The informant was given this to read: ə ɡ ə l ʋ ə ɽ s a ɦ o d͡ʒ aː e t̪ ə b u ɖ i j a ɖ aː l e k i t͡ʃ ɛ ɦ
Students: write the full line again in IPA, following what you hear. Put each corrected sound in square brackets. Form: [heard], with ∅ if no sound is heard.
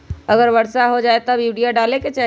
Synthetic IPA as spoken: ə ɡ ə [ɾ] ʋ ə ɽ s a ɦ o d͡ʒ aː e t̪ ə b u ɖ i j a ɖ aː l e k [e] t͡ʃ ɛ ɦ